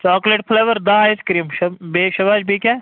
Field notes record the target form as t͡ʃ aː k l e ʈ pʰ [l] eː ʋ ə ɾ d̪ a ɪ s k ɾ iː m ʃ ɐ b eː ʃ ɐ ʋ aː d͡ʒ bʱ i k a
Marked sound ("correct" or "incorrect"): correct